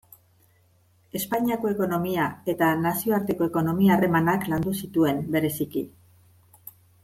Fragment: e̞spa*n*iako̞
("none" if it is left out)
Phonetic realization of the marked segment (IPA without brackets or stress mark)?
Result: ɲ